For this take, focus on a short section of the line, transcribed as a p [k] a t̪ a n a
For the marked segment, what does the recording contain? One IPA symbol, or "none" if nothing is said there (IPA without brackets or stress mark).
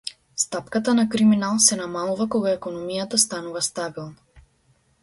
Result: k